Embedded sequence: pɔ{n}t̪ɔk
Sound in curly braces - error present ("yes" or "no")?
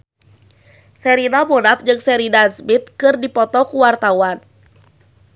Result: yes